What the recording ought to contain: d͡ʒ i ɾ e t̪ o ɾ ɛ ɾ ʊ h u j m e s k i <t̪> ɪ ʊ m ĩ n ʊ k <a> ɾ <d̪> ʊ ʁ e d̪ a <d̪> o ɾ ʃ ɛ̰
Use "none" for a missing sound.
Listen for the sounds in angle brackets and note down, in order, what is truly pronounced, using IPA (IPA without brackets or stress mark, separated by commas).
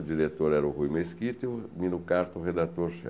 t̪, a, t̪, t̪